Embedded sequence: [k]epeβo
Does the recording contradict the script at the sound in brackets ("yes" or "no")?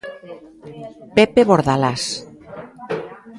yes